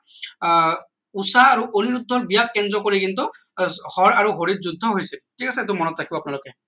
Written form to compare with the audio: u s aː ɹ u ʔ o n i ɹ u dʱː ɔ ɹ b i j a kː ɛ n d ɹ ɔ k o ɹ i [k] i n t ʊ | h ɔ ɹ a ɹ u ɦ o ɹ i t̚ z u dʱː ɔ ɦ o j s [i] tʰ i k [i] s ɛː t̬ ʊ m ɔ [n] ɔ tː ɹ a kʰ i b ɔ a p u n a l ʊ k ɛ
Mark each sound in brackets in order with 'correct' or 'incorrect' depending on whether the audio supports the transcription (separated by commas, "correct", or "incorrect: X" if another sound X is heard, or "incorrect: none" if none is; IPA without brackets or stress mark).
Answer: correct, incorrect: ɛ, incorrect: a, correct